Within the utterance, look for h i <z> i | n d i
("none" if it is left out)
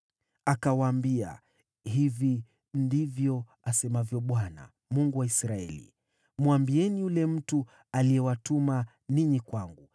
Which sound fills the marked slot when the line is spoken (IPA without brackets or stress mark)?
v